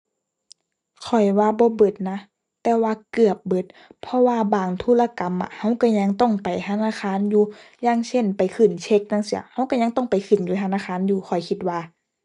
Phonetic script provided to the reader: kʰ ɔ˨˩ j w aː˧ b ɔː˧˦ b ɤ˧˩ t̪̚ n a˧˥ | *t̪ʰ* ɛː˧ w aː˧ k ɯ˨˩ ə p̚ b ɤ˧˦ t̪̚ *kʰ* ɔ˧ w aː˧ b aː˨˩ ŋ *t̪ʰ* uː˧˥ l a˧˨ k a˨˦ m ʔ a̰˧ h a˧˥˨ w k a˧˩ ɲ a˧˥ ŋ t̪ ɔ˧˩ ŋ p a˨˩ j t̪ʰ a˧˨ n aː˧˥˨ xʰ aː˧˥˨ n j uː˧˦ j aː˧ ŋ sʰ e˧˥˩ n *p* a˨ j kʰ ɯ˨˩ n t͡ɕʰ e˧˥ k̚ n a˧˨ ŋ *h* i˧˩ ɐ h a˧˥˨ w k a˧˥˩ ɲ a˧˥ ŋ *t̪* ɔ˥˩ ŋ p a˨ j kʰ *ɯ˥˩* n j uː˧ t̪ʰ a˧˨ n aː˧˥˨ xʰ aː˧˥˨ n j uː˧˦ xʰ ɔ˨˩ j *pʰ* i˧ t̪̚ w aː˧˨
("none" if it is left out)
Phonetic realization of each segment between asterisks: t̪, pʰ, t̪ʰ, p, s, t̪, ɯ˨˩, kʰ

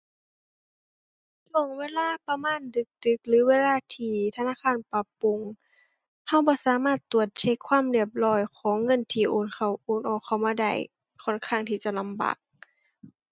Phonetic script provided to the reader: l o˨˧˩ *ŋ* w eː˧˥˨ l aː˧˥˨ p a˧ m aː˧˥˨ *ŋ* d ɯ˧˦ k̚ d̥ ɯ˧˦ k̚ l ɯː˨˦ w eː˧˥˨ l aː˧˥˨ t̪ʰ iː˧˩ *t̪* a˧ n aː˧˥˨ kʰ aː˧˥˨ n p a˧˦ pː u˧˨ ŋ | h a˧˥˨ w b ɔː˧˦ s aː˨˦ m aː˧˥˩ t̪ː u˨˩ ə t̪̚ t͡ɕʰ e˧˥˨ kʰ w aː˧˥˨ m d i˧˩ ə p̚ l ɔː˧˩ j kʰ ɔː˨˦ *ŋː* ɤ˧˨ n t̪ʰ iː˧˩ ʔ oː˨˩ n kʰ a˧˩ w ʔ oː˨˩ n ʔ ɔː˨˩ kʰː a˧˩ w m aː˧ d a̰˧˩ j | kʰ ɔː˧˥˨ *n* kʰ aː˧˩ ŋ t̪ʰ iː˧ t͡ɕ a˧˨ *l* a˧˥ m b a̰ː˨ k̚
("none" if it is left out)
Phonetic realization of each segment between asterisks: ŋ, n, t̪ʰ, ŋː, n, l

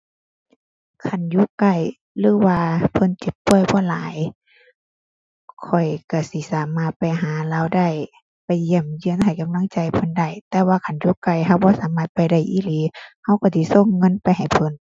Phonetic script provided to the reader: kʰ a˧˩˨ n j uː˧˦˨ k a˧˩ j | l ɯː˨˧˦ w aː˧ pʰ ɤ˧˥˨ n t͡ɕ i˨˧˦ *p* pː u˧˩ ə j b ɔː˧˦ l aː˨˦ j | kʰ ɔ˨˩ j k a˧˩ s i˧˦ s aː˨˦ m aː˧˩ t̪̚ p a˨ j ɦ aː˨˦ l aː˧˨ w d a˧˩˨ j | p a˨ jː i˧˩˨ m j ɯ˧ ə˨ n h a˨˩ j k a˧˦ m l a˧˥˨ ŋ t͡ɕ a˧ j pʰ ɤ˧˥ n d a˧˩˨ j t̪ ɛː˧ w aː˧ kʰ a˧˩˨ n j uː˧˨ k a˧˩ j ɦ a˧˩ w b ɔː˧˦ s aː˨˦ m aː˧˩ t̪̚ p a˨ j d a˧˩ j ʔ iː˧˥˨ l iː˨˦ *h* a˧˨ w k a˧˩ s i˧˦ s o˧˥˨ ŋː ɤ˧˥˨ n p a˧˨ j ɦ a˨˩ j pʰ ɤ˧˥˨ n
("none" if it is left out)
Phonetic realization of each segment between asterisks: p, h

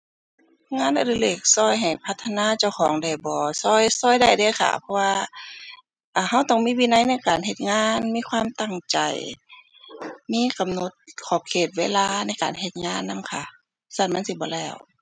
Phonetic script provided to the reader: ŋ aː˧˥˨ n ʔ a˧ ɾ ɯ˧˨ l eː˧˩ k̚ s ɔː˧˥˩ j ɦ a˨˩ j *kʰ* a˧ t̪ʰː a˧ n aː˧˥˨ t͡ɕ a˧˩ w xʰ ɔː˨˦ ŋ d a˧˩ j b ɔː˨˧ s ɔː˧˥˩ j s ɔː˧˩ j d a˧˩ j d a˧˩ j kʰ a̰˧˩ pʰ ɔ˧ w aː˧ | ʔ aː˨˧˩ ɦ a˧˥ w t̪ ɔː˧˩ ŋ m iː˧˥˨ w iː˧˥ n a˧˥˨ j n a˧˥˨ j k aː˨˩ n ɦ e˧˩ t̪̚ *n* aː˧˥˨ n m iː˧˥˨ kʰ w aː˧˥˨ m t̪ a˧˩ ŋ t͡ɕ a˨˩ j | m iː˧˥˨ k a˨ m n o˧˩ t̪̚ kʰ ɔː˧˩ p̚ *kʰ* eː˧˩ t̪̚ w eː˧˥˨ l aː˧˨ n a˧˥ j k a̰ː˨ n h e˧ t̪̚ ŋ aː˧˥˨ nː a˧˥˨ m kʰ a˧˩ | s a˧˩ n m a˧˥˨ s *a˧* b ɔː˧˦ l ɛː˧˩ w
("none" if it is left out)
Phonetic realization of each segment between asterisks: pʰ, ŋ, kʰ, i˧

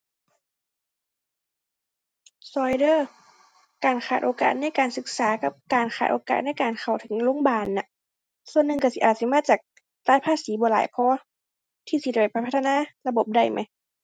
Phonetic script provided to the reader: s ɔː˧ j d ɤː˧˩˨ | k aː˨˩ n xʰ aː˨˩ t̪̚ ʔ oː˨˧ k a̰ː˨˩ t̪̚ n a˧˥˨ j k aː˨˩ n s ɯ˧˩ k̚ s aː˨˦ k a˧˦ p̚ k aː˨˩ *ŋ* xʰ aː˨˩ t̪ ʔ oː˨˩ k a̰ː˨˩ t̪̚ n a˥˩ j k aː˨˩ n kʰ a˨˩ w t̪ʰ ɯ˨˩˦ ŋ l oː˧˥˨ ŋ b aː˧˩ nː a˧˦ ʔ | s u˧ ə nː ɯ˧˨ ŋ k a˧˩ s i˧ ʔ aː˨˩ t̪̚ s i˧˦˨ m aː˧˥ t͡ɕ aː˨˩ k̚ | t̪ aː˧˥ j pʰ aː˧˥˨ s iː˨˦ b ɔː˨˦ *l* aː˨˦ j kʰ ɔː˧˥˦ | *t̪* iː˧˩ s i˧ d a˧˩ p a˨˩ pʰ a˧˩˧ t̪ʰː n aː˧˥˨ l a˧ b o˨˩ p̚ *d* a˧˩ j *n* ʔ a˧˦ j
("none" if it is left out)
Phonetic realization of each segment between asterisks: n, l, t̪ʰ, d, m

